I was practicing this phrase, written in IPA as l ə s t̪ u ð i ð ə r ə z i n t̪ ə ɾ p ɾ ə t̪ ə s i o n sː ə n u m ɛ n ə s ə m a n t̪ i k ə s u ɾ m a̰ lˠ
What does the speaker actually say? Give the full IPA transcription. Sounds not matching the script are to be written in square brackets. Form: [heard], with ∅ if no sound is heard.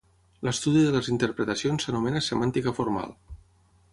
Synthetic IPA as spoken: l ə s t̪ u ð i ð ə [l] ə z i n t̪ ə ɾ p ɾ ə t̪ ə s i o n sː ə n u m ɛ n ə s ə m a n t̪ i k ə [f] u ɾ m a̰ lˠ